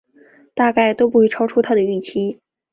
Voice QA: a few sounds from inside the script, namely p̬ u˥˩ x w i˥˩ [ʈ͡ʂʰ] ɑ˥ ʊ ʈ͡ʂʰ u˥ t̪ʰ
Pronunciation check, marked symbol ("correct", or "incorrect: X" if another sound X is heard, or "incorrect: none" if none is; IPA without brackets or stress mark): correct